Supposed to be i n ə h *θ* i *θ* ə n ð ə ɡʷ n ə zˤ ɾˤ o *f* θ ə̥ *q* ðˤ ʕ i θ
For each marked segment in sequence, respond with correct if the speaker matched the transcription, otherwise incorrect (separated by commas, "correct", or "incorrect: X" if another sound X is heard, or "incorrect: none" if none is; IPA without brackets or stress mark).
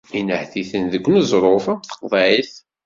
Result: correct, correct, correct, correct